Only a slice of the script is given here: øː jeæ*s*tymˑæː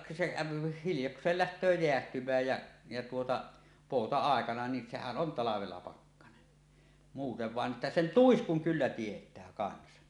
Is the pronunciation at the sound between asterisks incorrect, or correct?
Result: incorrect